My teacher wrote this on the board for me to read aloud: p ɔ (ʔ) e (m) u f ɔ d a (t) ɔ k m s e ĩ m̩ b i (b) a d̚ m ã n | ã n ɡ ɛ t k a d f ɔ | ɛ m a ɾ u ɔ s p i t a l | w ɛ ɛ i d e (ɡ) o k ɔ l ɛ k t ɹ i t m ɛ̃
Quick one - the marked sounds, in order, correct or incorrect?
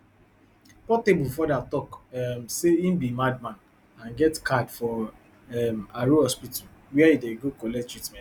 incorrect, incorrect, correct, incorrect, correct

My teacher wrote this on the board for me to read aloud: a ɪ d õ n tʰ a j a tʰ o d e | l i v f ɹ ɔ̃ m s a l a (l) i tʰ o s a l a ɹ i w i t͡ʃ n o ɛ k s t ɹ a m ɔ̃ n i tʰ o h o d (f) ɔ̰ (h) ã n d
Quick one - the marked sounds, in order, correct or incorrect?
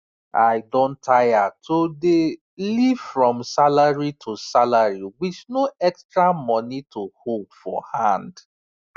incorrect, correct, correct

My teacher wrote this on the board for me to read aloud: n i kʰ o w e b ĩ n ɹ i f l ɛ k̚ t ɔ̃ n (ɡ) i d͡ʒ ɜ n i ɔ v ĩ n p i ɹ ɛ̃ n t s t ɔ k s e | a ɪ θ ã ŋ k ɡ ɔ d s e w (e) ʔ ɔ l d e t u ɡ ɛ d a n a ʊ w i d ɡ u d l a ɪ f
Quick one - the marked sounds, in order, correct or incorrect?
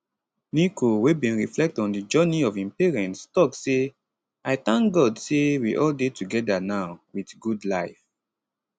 incorrect, incorrect

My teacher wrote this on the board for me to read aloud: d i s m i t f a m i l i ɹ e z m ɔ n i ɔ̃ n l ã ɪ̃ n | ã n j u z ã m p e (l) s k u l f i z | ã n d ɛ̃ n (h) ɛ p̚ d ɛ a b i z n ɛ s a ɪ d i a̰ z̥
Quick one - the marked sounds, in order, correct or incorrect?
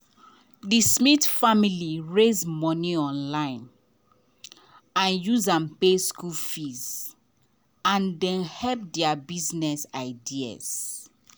incorrect, correct

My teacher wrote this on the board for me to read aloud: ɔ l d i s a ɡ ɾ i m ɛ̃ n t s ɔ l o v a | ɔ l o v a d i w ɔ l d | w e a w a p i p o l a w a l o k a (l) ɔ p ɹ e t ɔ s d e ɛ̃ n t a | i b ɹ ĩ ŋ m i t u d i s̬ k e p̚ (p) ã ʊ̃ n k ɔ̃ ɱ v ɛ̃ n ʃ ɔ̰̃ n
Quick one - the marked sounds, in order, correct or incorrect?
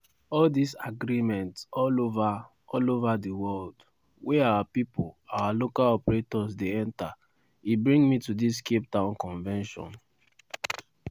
correct, incorrect

